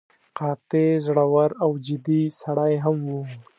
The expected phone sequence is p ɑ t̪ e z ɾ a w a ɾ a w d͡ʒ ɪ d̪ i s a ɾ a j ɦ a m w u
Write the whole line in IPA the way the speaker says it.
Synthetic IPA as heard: q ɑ t̪ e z ɽ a w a ɾ a w d͡ʒ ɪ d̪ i s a ɽ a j ɦ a m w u